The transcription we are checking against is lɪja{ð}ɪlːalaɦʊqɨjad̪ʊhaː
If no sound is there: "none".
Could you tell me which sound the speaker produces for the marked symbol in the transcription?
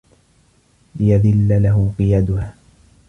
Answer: ð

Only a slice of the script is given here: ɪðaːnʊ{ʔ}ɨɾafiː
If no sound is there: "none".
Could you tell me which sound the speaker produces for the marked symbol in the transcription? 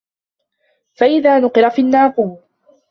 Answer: q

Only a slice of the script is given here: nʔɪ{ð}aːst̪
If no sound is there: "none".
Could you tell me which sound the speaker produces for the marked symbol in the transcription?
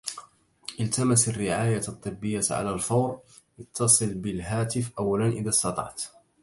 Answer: ð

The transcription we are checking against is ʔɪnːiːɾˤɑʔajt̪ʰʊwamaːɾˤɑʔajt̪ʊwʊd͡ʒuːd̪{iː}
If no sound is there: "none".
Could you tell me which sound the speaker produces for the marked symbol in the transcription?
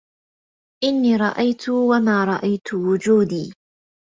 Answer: iː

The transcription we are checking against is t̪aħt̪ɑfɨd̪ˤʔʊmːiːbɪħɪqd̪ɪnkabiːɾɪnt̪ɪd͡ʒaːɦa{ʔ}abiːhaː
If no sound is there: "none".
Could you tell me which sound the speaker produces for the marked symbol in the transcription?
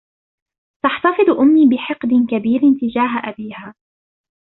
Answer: ʔ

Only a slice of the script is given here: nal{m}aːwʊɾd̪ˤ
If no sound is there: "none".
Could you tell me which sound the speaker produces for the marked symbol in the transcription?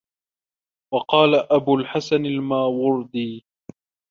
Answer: m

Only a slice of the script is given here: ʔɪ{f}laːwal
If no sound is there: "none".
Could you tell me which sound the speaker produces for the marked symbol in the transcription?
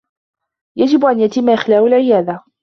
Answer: x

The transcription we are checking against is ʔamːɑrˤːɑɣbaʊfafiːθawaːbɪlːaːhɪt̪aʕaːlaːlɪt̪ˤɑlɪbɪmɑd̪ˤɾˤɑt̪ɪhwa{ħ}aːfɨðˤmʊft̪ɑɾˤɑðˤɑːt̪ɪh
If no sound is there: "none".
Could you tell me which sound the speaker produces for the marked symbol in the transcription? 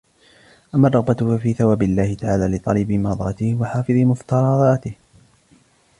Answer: ħ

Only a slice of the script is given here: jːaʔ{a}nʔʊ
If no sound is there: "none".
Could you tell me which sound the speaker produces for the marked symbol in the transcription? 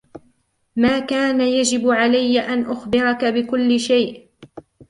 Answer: a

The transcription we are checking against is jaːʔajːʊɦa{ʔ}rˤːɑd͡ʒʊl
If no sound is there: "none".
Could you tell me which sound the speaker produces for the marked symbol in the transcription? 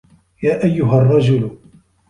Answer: none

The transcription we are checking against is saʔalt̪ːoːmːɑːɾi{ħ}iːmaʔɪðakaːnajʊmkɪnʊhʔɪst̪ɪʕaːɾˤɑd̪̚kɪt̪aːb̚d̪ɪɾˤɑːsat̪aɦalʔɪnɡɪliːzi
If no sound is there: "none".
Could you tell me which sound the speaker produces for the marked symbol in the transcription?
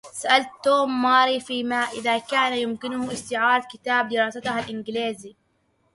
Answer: f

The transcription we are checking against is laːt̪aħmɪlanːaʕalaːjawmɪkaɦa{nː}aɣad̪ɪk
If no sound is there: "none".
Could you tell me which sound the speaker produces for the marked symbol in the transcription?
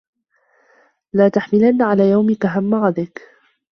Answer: mː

